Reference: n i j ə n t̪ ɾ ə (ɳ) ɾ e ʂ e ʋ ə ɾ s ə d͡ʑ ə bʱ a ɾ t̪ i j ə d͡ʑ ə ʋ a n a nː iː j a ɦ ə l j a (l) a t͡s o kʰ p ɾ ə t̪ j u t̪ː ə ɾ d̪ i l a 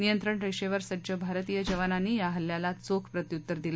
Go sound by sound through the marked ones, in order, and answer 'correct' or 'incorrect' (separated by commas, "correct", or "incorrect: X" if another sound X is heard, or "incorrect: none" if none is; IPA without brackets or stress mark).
correct, correct